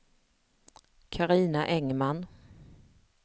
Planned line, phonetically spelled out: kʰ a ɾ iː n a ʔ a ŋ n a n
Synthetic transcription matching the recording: kʰ a ɾ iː n a ʔ ɛ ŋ m a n